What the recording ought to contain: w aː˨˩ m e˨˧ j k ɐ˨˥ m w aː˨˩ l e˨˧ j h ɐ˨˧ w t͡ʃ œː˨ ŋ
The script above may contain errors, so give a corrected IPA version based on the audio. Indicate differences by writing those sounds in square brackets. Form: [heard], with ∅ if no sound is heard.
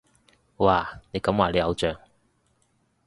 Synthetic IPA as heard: w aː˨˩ [n] e˨˧ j k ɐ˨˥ m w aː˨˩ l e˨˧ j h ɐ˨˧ w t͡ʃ œː˨ ŋ

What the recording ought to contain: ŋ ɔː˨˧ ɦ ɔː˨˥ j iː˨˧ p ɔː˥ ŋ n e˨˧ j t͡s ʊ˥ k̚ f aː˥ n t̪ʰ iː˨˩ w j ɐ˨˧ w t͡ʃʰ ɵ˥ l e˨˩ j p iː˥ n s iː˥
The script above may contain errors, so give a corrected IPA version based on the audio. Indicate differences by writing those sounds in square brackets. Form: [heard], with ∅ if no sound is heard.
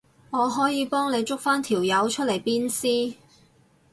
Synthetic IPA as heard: ŋ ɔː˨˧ ɦ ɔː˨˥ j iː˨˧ p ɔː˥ ŋ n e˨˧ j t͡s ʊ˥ k̚ f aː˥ n t̪ʰ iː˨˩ w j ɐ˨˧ w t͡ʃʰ ɵ˥ l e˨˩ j p iː˥ n s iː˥

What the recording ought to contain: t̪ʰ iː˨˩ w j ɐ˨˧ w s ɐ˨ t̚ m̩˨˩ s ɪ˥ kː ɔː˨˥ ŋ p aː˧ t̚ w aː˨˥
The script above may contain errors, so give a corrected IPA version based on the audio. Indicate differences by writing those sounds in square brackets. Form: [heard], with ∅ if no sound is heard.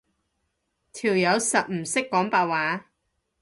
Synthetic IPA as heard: t̪ʰ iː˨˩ w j ɐ˨˧ w s ɐ˨ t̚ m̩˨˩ s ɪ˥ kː ɔː˨˥ ŋ p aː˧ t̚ w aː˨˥

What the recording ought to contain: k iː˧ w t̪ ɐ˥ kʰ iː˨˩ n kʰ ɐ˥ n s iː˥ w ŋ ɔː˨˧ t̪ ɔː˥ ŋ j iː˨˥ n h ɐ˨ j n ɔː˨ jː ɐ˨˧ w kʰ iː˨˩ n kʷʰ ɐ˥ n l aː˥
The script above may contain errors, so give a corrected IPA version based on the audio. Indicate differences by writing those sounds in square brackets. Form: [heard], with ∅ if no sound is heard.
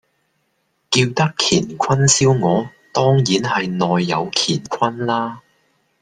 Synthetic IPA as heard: k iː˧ w t̪ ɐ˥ kʰ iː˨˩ n kʰ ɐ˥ n s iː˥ w ŋ ɔː˨˧ t̪ ɔː˥ ŋ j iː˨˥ n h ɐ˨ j n ɔː˨ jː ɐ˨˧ w kʰ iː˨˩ n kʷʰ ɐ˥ n l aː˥

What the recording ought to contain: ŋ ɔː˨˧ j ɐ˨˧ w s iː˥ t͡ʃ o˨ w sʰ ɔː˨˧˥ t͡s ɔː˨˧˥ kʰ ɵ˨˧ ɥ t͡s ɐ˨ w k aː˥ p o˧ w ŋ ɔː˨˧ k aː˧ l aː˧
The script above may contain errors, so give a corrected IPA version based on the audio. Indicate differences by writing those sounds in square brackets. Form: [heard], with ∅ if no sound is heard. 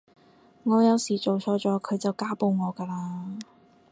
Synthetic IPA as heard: ŋ ɔː˨˧ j ɐ˨˧ w s [iː˨˩] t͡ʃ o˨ w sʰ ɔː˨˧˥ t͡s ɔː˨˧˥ kʰ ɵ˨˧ ɥ t͡s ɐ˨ w k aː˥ p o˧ w ŋ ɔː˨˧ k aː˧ l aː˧

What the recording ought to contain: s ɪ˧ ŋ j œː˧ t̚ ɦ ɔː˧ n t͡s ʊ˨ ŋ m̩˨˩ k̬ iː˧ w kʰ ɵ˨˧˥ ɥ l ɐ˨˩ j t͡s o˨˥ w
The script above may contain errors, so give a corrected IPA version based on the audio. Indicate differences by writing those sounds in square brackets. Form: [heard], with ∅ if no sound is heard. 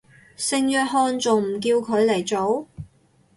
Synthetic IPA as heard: s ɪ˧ ŋ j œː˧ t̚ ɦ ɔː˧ n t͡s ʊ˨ ŋ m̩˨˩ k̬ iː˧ w kʰ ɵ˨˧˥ ɥ l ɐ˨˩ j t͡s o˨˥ w

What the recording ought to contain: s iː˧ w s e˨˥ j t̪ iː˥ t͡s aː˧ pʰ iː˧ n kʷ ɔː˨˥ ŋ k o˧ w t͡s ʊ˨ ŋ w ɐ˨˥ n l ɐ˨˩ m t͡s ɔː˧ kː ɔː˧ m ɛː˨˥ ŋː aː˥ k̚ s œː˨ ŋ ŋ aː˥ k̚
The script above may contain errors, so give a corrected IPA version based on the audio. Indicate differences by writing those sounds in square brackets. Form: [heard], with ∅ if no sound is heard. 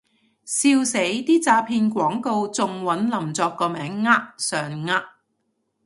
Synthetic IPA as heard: s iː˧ w s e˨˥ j t̪ iː˥ t͡s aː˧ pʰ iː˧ n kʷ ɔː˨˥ ŋ k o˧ w t͡s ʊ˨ ŋ w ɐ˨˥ n l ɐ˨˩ m t͡s ɔː˧ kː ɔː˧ m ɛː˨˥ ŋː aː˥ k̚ s œː˨ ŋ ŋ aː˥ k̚

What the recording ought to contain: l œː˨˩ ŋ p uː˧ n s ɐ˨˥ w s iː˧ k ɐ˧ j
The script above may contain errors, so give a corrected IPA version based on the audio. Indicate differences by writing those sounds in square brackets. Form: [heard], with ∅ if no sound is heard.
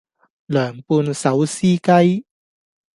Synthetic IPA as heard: l œː˨˩ ŋ p uː˧ n s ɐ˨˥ w s [iː˥] k [ɐ˥] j

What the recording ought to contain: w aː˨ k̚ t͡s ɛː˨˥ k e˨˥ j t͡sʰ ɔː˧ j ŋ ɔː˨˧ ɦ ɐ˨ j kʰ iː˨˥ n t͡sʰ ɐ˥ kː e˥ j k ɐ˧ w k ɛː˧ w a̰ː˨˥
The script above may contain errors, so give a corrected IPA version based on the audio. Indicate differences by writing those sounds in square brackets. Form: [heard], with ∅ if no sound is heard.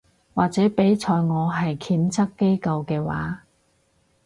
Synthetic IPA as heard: w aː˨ k̚ t͡s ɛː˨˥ [p] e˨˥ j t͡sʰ ɔː˧ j ŋ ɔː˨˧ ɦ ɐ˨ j kʰ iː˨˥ n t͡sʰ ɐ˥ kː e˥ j k ɐ˧ w k ɛː˧ w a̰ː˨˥

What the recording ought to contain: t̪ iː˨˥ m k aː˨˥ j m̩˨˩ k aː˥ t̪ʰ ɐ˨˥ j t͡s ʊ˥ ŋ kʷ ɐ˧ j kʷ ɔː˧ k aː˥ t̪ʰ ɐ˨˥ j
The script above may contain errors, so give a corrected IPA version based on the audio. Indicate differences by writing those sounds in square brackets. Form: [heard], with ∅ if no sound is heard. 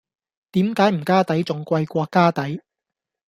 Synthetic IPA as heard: t̪ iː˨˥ m k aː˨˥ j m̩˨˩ k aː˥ [t̪] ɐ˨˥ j t͡s [ʊ˨] ŋ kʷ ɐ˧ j kʷ ɔː˧ k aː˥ [t̪] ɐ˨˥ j

